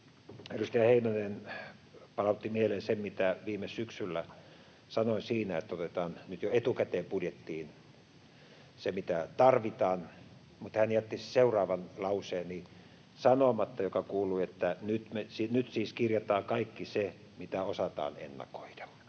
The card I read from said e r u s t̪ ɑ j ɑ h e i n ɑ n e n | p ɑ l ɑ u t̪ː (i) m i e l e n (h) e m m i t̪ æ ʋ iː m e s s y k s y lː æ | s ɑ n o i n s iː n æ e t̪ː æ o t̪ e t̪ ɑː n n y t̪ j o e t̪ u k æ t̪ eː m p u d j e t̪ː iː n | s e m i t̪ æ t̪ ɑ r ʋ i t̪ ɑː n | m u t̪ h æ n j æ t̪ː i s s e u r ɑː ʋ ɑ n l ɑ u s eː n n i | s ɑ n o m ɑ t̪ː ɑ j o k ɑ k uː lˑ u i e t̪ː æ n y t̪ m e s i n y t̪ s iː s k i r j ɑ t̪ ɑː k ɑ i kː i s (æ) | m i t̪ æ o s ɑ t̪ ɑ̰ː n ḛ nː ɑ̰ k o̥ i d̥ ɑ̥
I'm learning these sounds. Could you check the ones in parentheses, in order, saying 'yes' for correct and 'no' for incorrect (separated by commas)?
yes, no, no